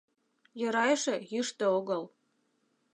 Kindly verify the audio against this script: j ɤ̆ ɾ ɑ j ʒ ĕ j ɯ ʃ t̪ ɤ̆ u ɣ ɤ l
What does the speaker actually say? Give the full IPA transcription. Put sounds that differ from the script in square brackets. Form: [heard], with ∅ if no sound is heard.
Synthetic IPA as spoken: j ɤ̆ ɾ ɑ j [ʃ] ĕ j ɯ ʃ t̪ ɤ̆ [o] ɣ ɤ l